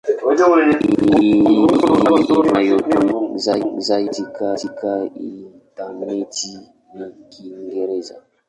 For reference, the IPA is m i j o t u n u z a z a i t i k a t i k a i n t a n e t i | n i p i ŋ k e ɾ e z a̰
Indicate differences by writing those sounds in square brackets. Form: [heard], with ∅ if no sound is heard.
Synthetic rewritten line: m [a] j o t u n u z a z a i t i k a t i k a i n t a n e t i | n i [k] i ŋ [ɡ] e ɾ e z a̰